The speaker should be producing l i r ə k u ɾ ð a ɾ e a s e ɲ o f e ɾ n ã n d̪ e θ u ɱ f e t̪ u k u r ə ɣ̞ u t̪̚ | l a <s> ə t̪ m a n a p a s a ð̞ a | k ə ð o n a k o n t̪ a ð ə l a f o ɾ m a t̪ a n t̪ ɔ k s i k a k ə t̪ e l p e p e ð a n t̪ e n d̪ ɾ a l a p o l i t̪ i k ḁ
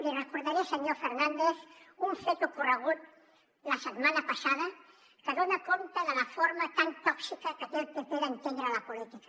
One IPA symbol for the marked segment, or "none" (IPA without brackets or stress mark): s